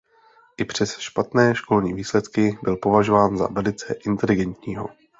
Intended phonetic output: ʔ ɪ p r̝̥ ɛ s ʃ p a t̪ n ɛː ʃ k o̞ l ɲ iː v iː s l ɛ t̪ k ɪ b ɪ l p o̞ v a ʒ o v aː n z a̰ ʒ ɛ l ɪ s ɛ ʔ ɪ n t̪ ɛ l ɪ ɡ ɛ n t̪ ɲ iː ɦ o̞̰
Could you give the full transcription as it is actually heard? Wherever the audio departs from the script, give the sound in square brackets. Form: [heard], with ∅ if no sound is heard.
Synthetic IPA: ʔ ɪ p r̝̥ ɛ s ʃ p a t̪ n ɛː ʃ k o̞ l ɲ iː v iː s l ɛ t̪ k ɪ b ɪ l p o̞ v a ʒ o v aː n z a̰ [v] ɛ l ɪ [t͡s] ɛ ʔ ɪ n t̪ ɛ l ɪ ɡ ɛ n t̪ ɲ iː ɦ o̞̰